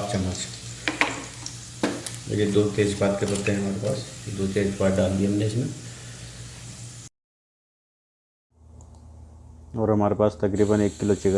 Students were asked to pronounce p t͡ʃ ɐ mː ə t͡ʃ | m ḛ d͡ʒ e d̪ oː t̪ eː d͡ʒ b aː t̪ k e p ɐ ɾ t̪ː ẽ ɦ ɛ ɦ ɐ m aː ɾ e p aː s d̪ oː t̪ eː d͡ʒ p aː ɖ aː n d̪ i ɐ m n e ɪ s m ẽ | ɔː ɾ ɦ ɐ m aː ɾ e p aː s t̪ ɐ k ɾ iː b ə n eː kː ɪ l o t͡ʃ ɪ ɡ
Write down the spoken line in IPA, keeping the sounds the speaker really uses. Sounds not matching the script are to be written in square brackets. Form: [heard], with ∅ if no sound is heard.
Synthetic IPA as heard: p t͡ʃ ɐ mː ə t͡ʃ | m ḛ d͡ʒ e d̪ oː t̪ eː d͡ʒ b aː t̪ k e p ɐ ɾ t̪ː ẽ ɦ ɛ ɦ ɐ m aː ɾ e p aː s d̪ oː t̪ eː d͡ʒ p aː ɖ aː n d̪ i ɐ m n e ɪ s m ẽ | ɔː ɾ ɦ ɐ m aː ɾ e p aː s t̪ ɐ k ɾ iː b ə n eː kː ɪ l o t͡ʃ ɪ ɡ

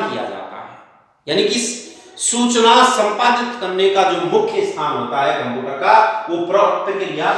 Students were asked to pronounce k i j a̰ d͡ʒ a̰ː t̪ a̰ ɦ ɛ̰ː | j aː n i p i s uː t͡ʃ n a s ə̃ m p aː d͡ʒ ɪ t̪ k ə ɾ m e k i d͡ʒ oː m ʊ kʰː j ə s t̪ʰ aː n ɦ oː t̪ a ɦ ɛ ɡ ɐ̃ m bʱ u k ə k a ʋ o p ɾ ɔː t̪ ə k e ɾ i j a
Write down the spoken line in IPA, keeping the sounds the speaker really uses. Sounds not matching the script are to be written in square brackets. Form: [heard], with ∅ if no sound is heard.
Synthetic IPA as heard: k i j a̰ d͡ʒ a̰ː t̪ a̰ ɦ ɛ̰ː | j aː n i [k] i s uː t͡ʃ n a s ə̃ m p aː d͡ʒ ɪ t̪ k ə ɾ [n] e k [a] d͡ʒ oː m ʊ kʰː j ə s t̪ʰ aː n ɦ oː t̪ a ɦ ɛ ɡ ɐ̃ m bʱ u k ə k a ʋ o p ɾ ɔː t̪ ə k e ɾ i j a

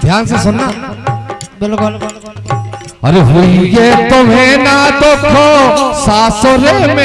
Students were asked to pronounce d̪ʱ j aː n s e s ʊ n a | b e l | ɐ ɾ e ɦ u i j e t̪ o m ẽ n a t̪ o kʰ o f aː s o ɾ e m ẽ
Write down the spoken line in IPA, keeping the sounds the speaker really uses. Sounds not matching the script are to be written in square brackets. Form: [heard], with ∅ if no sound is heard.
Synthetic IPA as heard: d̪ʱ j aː n s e s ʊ n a | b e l | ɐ ɾ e ɦ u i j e t̪ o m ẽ n a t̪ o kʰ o [s] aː s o ɾ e m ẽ

